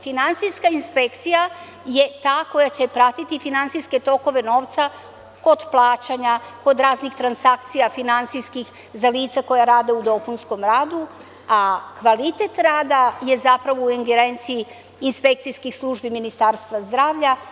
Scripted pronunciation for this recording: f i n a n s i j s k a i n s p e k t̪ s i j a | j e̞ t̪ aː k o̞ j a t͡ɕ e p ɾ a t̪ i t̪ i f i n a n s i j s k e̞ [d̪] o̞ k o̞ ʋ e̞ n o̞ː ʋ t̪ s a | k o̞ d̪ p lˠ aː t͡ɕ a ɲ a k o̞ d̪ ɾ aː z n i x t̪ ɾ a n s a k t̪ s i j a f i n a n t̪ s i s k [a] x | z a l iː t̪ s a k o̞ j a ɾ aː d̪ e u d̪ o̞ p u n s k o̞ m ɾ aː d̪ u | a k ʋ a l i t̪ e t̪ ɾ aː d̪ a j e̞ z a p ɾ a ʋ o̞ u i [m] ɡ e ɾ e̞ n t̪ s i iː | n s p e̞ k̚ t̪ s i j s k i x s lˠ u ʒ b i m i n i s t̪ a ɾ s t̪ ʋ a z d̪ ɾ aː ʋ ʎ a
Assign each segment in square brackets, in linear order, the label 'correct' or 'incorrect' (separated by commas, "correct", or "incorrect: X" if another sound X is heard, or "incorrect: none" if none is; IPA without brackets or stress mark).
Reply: incorrect: t̪, incorrect: i, incorrect: ŋ